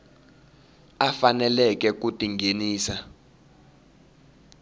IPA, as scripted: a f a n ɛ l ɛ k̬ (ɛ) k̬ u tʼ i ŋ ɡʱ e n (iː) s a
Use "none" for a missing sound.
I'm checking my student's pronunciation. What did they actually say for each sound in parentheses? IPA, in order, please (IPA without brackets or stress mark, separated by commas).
ɛ, iː